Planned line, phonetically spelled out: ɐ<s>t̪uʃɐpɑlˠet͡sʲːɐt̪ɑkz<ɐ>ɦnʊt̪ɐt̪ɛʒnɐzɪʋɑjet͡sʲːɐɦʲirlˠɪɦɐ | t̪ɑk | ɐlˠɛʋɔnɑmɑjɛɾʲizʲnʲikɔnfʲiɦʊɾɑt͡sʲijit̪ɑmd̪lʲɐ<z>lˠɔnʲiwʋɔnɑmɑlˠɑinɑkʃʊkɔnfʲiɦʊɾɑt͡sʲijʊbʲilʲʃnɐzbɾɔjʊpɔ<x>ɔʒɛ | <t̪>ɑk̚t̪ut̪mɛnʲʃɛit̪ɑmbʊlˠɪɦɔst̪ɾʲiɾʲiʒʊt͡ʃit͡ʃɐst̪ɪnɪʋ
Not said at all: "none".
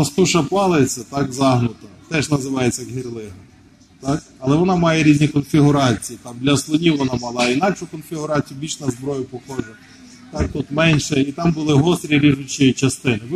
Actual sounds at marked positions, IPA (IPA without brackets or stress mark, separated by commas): s, ɑ, s, x, t̪